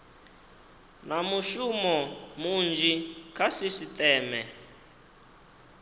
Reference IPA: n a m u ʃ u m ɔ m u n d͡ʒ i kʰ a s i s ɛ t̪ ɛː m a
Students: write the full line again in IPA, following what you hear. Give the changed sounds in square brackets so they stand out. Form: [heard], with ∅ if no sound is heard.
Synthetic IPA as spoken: n a m u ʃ u m ɔ m u n d͡ʒ i kʰ a s i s [i] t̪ ɛː m [ɛ]